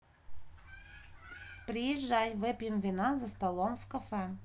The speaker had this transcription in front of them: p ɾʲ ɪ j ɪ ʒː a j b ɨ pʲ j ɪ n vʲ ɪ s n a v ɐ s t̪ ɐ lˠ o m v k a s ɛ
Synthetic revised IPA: p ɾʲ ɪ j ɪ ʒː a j v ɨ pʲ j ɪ m vʲ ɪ n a z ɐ s t̪ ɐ lˠ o m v k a f ɛ